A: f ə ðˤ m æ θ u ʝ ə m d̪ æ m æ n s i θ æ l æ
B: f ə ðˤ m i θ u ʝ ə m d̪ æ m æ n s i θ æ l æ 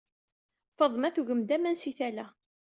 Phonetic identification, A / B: A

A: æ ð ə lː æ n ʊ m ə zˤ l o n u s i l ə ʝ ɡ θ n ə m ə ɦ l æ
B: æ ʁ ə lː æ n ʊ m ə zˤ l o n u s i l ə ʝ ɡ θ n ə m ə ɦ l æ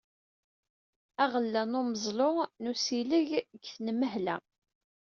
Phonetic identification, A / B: B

